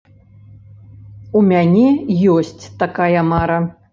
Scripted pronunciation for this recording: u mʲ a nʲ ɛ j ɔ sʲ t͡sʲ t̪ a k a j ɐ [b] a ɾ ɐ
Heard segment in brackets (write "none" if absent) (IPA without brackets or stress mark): m